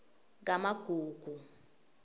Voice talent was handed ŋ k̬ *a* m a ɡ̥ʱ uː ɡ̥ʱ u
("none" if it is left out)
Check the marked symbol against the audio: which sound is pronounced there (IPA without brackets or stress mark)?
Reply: a